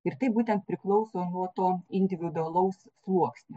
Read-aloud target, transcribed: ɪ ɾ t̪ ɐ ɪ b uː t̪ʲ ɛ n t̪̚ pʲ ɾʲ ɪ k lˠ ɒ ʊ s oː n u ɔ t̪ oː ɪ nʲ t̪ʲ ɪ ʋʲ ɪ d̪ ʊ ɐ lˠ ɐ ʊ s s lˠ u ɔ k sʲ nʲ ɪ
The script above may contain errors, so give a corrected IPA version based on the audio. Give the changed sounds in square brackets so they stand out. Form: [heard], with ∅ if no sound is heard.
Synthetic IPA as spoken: ɪ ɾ t̪ ɐ ɪ b uː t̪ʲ ɛ n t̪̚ pʲ ɾʲ ɪ k lˠ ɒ ʊ s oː n u ɔ t̪ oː ɪ nʲ [d̪ʲ] ɪ ʋʲ ɪ d̪ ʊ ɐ lˠ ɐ ʊ s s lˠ u ɔ k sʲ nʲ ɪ